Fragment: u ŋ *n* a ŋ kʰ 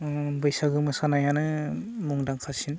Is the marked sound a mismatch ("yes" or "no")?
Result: yes